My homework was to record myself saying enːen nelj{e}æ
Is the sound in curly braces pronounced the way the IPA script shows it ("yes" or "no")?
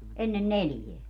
yes